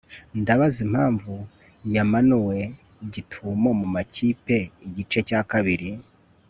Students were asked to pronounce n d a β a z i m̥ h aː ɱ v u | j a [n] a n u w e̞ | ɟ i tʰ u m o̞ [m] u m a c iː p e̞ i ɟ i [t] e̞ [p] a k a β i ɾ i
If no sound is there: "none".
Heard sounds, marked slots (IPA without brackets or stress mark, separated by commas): m, m, t͡ʃ, c